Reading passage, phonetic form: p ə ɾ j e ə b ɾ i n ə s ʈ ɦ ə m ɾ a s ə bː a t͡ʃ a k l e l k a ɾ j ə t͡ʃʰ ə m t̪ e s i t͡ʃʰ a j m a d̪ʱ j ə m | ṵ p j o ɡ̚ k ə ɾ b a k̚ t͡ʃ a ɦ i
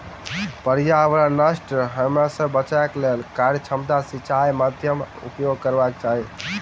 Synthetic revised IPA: p ə ɾ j a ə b ɾ a n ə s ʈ ɦ ə m ɾ a s ə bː ə t͡ʃ a k l e l k a ɾ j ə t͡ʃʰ ə m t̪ a s i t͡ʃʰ a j m a d̪ʱ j ə m | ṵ p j o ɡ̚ k ə ɾ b a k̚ t͡ʃ a ɦ i